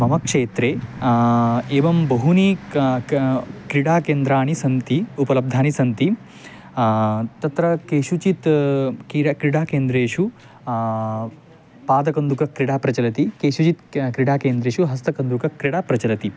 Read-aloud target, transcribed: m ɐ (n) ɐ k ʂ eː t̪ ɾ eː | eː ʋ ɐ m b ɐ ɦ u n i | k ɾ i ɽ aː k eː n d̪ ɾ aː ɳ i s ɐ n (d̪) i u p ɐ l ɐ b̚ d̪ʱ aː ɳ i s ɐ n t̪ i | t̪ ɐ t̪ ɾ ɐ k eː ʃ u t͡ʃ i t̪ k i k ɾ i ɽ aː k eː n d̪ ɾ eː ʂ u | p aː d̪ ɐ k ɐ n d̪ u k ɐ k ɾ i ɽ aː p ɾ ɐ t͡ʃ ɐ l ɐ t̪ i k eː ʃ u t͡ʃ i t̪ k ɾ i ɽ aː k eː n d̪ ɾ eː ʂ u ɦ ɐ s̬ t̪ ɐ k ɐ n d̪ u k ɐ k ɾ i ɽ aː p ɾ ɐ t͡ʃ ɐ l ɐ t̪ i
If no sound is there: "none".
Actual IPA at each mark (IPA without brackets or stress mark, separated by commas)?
m, t̪